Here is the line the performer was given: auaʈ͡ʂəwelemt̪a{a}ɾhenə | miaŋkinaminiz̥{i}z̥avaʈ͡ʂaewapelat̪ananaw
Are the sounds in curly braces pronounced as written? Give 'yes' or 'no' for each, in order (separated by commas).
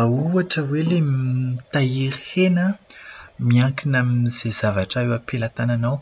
no, no